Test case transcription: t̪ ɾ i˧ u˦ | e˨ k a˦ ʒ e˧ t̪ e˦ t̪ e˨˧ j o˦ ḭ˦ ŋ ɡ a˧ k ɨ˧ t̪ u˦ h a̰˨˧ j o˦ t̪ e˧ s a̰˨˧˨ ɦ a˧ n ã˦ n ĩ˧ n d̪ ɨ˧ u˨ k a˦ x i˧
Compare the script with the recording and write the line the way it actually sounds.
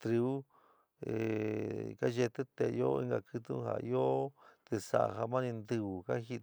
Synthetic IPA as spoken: t̪ ɾ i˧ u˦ | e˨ k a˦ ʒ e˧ t̪ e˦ t̪ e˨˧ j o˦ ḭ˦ ŋ ɡ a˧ k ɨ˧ t̪ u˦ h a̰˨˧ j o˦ t̪ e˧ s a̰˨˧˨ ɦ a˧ m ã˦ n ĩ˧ n d̪ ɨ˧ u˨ k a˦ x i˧